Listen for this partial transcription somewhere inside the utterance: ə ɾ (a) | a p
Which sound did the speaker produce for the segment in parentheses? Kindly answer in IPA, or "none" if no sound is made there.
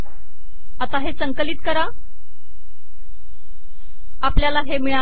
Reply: a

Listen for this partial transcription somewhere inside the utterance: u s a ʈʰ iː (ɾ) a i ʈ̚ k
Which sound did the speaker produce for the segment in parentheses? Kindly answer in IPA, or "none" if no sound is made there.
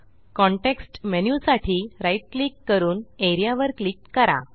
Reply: ɾ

